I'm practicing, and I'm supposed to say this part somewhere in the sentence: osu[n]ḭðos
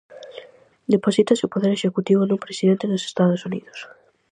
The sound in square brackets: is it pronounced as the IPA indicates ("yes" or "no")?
yes